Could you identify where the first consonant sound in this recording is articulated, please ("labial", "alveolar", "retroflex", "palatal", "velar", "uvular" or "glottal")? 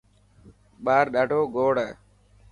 labial